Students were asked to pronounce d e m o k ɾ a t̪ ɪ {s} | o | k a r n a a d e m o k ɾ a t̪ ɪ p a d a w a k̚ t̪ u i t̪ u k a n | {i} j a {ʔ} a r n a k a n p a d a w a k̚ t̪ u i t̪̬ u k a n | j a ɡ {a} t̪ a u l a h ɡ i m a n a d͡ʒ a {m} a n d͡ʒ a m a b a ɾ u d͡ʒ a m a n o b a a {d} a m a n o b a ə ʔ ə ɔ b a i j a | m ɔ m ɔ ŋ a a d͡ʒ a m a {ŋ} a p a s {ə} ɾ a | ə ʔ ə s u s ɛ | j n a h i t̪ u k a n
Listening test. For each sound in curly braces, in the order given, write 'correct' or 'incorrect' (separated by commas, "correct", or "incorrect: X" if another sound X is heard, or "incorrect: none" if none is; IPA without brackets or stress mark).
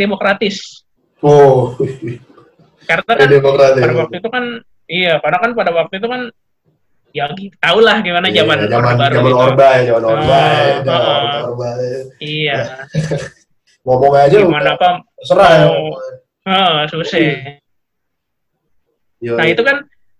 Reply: correct, correct, incorrect: k, incorrect: i, correct, incorrect: d͡ʒ, incorrect: n, correct